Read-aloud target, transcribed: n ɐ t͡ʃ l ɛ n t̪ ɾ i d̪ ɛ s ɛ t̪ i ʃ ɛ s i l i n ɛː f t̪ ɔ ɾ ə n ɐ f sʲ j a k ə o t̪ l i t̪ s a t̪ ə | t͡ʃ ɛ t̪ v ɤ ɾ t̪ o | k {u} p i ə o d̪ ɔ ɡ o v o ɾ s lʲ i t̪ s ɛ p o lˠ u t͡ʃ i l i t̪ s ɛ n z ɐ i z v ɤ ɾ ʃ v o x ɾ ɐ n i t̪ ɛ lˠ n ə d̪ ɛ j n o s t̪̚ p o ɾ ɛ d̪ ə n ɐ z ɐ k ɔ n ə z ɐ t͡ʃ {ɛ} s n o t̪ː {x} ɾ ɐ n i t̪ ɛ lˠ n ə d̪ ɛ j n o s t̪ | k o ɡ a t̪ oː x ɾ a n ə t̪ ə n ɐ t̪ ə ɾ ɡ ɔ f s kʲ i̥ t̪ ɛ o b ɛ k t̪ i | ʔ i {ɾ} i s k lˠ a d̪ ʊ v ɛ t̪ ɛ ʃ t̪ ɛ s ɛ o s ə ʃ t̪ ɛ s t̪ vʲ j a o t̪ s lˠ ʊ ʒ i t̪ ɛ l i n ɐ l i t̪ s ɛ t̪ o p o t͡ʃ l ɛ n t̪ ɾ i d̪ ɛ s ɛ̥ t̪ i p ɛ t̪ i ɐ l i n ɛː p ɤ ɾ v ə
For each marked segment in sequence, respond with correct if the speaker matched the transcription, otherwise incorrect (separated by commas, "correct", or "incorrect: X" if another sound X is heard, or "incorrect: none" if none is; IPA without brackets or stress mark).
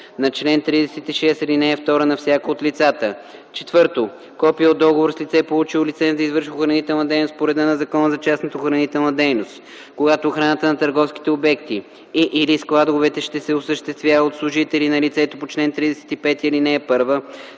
incorrect: ɔ, incorrect: a, correct, incorrect: l